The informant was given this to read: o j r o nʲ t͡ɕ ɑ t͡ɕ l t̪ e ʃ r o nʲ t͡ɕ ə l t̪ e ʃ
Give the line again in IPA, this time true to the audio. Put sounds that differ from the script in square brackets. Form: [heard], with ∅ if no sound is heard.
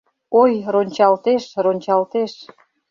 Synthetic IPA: o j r o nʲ t͡ɕ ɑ [∅] l t̪ e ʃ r o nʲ t͡ɕ [ɑ] l t̪ e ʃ